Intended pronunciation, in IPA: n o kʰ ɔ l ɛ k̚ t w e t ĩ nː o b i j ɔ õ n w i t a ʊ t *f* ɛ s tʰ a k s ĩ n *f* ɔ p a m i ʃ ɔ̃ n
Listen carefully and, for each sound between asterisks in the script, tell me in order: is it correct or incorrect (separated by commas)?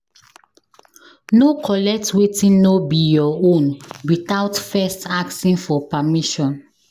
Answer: correct, correct